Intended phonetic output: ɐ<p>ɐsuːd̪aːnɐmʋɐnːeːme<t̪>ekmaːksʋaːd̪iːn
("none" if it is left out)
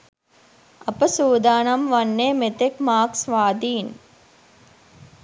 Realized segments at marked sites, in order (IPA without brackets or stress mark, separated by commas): p, t̪